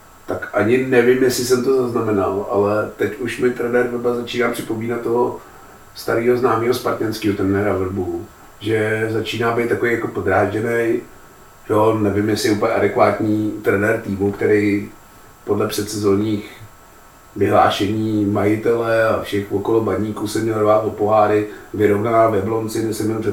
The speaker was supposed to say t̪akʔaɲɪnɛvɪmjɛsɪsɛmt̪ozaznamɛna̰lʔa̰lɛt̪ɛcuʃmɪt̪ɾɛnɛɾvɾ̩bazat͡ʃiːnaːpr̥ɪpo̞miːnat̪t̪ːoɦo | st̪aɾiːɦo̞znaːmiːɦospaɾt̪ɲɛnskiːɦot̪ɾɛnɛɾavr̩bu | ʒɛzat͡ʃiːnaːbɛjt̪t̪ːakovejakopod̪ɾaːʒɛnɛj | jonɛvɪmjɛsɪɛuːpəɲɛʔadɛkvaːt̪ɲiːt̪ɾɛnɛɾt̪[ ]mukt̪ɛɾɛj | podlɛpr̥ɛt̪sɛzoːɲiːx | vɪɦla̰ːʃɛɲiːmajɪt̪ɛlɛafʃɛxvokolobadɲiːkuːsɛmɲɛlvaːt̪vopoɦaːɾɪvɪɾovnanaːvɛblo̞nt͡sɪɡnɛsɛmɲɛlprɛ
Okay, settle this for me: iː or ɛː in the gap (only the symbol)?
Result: iː